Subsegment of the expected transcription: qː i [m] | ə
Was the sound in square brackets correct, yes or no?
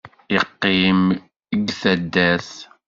yes